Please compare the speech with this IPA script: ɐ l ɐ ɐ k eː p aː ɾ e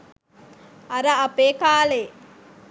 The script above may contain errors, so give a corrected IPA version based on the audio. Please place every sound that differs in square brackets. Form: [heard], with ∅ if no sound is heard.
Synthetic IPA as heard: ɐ [ɾ] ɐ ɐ [p] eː [k] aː [l] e

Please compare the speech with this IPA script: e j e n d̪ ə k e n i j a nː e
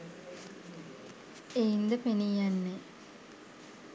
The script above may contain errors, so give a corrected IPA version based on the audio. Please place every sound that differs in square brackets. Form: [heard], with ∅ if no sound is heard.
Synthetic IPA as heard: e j [i] n d̪ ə [p] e n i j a nː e

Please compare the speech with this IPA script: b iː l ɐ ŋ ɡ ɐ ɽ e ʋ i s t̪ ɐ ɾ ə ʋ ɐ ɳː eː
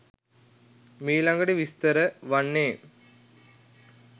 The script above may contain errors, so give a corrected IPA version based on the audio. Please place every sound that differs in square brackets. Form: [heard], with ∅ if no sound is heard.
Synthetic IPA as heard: [m] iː l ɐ ŋ ɡ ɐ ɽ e ʋ i s t̪ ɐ ɾ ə ʋ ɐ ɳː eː

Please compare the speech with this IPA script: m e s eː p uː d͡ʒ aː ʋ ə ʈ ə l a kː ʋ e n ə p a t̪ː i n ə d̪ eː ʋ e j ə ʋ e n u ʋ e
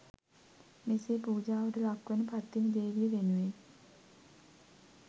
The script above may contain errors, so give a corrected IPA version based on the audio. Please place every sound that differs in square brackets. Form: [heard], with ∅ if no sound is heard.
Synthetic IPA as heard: m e s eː p uː d͡ʒ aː ʋ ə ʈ ə l a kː ʋ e n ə p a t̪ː i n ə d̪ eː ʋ [i] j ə ʋ e n u ʋ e

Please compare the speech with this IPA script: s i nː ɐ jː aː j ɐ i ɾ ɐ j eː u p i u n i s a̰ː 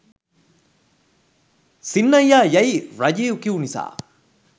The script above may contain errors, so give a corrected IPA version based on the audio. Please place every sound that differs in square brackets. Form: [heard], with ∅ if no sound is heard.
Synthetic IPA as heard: s i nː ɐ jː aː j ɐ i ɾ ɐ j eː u [k] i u n i s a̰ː

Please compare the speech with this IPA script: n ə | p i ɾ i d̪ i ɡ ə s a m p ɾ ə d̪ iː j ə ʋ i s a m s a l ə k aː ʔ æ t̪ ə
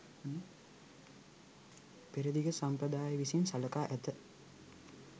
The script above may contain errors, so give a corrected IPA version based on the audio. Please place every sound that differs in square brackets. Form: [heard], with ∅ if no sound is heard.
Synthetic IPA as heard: n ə | p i ɾ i d̪ i ɡ ə s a m p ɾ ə d̪ [aː] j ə ʋ i s [i] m s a l ə k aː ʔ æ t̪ ə

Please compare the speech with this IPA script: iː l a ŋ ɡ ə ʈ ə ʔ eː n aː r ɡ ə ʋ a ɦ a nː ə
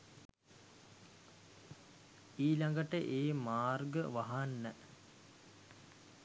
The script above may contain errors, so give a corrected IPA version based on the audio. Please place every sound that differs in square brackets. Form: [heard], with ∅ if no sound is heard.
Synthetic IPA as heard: iː l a ŋ ɡ ə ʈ ə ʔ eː [m] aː r ɡ ə ʋ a ɦ a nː ə

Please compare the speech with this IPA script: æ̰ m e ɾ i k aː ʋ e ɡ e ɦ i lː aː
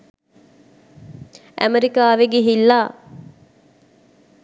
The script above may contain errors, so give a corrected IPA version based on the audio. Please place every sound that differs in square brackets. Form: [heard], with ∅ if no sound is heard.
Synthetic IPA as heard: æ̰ m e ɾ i k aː ʋ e ɡ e ɦ i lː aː

